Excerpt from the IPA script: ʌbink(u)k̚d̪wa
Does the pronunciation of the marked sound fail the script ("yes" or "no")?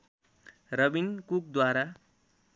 no